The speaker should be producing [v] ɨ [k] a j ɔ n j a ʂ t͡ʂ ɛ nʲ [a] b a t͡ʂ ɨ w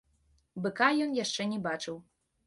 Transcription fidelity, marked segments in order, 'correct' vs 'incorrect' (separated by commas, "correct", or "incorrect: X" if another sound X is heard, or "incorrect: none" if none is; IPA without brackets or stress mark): incorrect: b, correct, incorrect: ɛ